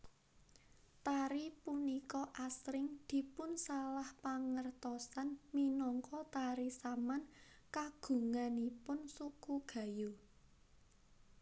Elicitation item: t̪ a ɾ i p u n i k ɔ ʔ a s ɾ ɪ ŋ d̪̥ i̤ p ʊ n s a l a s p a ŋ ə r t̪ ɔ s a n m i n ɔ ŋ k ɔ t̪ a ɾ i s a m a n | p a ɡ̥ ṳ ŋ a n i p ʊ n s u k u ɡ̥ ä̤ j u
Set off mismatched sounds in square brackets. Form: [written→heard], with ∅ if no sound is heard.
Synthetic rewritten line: t̪ a ɾ i p u n i k ɔ ʔ a s ɾ ɪ ŋ d̪̥ i̤ p ʊ n s a l a [s→h] p a ŋ ə r t̪ ɔ s a n m i n ɔ ŋ k ɔ t̪ a ɾ i s a m a n | [p→k] a ɡ̥ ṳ ŋ a n i p ʊ n s u k u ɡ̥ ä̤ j u